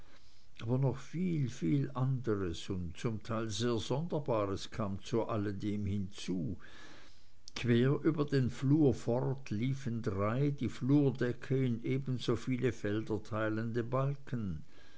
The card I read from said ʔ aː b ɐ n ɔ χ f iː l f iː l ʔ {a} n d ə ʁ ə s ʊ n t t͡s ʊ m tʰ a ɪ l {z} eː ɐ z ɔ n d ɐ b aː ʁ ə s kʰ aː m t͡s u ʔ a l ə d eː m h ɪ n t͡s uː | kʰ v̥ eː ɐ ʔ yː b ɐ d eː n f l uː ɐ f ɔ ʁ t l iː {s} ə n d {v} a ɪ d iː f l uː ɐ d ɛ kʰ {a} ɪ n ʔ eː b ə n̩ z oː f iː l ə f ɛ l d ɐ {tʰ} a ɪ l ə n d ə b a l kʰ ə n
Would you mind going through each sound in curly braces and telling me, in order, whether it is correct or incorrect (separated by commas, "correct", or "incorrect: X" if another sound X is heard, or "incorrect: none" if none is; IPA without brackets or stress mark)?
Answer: correct, correct, incorrect: f, incorrect: ʁ, incorrect: ə, correct